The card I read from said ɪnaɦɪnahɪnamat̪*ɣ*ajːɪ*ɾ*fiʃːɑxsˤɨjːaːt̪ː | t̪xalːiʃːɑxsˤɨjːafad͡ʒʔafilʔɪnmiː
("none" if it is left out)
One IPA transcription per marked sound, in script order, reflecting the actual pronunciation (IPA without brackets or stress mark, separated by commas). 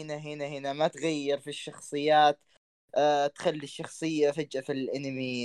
ɣ, ɾ